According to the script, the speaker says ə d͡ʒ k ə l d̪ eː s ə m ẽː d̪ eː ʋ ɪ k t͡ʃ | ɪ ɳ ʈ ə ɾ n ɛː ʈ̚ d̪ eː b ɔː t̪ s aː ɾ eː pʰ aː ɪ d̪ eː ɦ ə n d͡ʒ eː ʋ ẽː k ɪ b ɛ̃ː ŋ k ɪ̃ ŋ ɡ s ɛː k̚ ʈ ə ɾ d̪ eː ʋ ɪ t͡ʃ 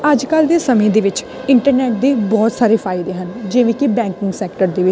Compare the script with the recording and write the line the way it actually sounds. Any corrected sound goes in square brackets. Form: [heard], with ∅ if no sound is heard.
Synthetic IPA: ə d͡ʒ k ə l d̪ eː s ə m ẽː d̪ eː ʋ ɪ [∅] t͡ʃ | ɪ ɳ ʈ ə ɾ n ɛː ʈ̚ d̪ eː b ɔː t̪ s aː ɾ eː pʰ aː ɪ d̪ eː ɦ ə n d͡ʒ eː ʋ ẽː k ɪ b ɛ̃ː ŋ k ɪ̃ ŋ ɡ s ɛː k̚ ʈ ə ɾ d̪ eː ʋ ɪ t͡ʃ